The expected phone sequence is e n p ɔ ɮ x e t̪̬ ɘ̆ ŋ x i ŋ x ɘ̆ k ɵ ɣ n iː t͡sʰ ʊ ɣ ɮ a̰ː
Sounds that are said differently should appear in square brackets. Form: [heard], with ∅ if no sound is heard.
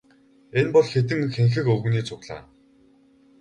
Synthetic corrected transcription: e n p ɔ ɮ x e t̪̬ ɘ̆ ŋ x [e] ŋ x ɘ̆ k ɵ ɣ n iː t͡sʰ ʊ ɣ ɮ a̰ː